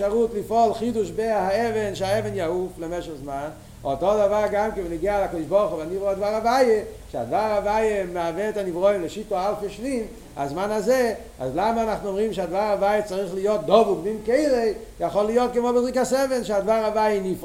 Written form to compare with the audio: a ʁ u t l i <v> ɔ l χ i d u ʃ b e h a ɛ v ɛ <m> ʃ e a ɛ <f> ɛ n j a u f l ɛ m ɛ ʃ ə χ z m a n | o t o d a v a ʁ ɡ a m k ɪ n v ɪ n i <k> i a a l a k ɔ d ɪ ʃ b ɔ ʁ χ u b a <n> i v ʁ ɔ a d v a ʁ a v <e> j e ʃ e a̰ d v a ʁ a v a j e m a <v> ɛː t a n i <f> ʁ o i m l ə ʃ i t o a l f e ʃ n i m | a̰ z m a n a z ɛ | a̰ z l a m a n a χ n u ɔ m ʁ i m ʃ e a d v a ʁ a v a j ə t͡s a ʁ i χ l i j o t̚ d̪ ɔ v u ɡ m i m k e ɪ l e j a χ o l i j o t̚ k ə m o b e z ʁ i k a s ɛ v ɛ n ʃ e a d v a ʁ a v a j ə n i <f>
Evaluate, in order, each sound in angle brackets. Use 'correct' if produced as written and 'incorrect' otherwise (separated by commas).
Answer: incorrect, incorrect, incorrect, incorrect, correct, incorrect, correct, incorrect, correct